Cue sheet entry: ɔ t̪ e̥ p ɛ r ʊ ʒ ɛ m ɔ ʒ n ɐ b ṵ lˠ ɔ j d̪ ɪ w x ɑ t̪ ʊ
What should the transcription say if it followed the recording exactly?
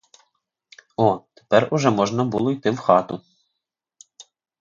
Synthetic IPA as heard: ɔ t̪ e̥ p ɛ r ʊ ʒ ɛ m ɔ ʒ n ɐ b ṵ lˠ ɔ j t̪ ɪ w x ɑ t̪ ʊ